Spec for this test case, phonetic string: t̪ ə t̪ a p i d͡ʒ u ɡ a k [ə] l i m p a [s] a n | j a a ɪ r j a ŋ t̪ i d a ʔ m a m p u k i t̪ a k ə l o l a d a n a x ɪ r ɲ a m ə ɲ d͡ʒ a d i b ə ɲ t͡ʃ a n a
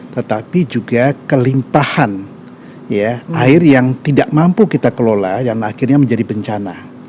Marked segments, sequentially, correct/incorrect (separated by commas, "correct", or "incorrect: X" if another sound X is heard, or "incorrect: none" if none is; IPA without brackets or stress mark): correct, incorrect: h